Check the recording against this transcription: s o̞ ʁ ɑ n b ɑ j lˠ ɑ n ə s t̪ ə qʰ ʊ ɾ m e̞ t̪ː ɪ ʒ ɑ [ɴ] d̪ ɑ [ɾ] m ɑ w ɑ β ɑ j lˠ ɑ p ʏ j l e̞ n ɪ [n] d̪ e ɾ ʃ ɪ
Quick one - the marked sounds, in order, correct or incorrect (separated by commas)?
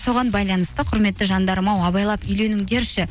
incorrect, correct, incorrect